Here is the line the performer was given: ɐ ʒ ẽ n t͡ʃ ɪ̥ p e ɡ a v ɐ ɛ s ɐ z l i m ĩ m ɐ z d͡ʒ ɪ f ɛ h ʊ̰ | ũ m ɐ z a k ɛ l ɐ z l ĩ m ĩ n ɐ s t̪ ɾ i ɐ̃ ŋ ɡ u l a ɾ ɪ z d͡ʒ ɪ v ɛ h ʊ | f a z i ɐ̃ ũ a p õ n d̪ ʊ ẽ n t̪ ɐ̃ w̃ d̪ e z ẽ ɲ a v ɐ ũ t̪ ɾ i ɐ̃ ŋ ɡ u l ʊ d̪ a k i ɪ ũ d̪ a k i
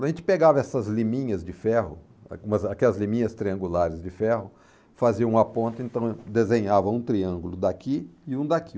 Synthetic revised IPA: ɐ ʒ ẽ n t͡ʃ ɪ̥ p e ɡ a v ɐ ɛ s ɐ z l i m ĩ ɲ ɐ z d͡ʒ ɪ f ɛ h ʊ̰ | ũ m ɐ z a k ɛ l ɐ z l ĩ m ĩ ɲ ɐ s t̪ ɾ i ɐ̃ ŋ ɡ u l a ɾ ɪ z d͡ʒ ɪ f ɛ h ʊ | f a z i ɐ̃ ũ a p õ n t̪ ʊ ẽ n t̪ ɐ̃ w̃ d̪ e z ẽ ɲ a v ɐ ũ t̪ ɾ i ɐ̃ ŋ ɡ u l ʊ d̪ a k i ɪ ũ d̪ a k i

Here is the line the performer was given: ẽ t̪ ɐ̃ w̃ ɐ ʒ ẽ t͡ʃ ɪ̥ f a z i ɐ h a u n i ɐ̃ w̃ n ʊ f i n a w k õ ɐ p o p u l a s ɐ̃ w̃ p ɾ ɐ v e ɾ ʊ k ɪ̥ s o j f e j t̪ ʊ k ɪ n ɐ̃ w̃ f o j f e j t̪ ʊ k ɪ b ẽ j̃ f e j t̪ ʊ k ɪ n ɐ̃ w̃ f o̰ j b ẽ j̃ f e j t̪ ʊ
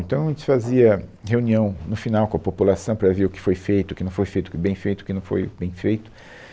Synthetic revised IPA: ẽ t̪ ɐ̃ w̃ ɐ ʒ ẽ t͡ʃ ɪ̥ f a z i ɐ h e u n i ɐ̃ w̃ n ʊ f i n a w k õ ɐ p o p u l a s ɐ̃ w̃ p ɾ ɐ v e ɾ ʊ k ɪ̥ f o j f e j t̪ ʊ k ɪ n ɐ̃ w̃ f o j f e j t̪ ʊ k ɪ b ẽ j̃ f e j t̪ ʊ k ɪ n ɐ̃ w̃ f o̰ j b ẽ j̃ f e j t̪ ʊ

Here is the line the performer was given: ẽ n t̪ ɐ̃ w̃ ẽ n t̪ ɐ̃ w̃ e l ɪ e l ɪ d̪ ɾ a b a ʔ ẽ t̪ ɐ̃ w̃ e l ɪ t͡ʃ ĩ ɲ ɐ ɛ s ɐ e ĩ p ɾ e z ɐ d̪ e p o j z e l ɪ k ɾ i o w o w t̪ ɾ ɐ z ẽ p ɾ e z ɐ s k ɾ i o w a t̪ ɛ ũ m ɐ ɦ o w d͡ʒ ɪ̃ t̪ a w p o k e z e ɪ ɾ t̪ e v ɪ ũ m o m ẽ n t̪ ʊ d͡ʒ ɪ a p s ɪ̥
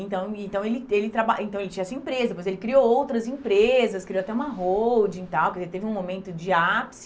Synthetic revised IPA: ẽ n t̪ ɐ̃ w̃ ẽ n t̪ ɐ̃ w̃ e l ɪ e l ɪ t̪ ɾ a b a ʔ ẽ t̪ ɐ̃ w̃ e l ɪ t͡ʃ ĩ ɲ ɐ ɛ s ɐ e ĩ p ɾ e z ɐ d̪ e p o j z e l ɪ k ɾ i o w o w t̪ ɾ ɐ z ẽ p ɾ e z ɐ s k ɾ i o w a t̪ ɛ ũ m ɐ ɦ o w d͡ʒ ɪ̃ t̪ a w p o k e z e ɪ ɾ t̪ e v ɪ ũ m o m ẽ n t̪ ʊ d͡ʒ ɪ a p s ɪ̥

